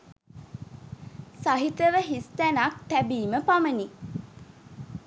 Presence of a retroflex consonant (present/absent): absent